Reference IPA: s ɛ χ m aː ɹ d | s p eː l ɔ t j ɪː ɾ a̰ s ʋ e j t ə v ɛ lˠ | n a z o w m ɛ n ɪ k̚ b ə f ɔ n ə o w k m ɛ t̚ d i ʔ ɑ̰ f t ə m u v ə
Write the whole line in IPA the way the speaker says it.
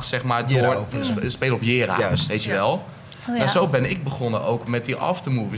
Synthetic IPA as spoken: s ɛ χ m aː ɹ d | s p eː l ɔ p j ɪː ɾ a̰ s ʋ e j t ə ʋ ɛ lˠ | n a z o w b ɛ n ɪ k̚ b ə χ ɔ n ə o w k m ɛ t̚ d i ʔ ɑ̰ f t ə m u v ə